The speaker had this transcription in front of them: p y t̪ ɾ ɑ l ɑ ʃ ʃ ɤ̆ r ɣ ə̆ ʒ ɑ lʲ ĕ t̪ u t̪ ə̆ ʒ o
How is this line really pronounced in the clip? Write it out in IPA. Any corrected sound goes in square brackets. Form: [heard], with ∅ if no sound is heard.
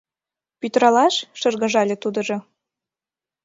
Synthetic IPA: p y t̪ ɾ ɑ l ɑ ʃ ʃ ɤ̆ r ɣ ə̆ ʒ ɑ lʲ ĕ t̪ u [d̪] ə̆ ʒ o